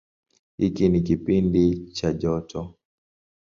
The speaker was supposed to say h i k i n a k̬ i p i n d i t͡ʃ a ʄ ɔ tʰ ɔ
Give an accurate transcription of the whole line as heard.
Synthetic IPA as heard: h i k i n i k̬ i p i n d i t͡ʃ a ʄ ɔ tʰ ɔ